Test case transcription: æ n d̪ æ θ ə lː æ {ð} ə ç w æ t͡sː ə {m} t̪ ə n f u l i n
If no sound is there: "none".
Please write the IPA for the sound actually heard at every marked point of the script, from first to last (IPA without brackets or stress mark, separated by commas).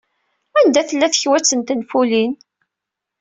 θ, n